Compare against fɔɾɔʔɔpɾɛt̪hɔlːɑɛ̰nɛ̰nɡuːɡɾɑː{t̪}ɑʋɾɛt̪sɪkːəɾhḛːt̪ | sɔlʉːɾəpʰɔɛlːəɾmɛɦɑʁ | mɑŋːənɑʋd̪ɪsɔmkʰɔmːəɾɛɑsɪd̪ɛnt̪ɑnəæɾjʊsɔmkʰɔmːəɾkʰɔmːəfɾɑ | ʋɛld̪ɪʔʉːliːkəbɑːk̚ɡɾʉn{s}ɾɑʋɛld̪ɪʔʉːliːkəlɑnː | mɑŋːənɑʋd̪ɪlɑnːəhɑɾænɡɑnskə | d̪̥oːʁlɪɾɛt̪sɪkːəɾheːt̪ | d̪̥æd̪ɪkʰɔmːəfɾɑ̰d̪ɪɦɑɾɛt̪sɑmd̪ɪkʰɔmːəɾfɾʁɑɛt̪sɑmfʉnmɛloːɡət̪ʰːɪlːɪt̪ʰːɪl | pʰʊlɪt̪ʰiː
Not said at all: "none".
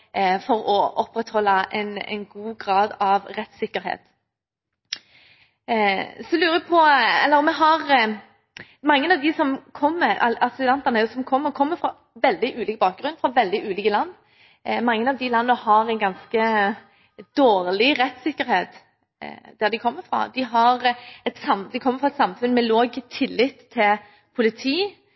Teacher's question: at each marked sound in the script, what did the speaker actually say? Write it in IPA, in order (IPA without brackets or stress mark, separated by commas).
d̪, f